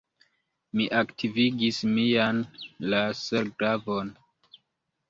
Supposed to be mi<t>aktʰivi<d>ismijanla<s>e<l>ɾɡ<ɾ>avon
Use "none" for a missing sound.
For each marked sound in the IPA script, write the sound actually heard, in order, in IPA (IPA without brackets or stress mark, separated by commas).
ʔ, ɡ, s, none, ɾ